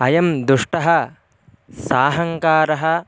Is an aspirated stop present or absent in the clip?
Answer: absent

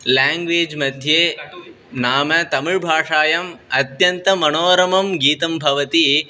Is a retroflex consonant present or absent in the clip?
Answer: present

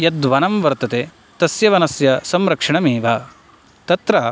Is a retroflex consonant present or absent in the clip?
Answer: present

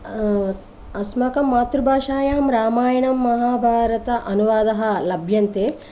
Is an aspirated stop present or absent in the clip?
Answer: absent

